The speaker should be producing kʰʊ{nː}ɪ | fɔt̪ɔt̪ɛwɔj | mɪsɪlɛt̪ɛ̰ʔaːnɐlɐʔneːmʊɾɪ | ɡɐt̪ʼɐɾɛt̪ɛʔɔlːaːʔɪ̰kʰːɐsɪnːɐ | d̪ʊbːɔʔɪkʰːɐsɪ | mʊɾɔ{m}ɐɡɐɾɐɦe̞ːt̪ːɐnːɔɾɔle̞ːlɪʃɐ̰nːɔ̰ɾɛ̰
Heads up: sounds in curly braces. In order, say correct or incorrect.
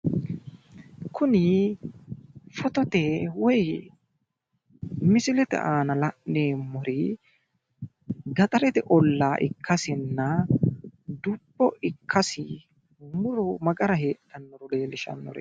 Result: incorrect: n, correct

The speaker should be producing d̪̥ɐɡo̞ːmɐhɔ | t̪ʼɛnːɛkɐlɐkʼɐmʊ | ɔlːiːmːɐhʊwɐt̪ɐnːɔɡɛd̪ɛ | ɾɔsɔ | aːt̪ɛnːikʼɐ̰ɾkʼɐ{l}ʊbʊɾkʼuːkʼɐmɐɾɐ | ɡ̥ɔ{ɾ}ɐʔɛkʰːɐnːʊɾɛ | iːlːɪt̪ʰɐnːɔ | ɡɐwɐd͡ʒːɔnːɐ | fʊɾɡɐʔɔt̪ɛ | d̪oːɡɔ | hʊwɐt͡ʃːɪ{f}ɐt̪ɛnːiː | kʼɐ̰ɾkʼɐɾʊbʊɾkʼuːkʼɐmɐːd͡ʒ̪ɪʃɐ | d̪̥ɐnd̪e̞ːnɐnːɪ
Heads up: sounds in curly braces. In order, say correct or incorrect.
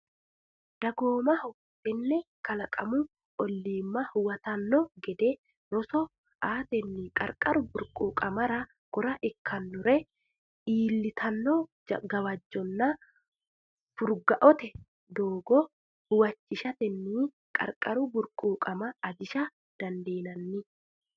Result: incorrect: ɾ, correct, incorrect: ʃ

